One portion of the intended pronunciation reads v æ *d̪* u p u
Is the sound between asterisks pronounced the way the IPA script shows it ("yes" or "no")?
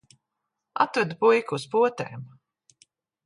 yes